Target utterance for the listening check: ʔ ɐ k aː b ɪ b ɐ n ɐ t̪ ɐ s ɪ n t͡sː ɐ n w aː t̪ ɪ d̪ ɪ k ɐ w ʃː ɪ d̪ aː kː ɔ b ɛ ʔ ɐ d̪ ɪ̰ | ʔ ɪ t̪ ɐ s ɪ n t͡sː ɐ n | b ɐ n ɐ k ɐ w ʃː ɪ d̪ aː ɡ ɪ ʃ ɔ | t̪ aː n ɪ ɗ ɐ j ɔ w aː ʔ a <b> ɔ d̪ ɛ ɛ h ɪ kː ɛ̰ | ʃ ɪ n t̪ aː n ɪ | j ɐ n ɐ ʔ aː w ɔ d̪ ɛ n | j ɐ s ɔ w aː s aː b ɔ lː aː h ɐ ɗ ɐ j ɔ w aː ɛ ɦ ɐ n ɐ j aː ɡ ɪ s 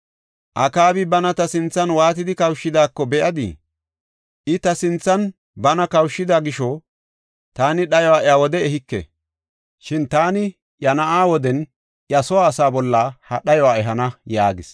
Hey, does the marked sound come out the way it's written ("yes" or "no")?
no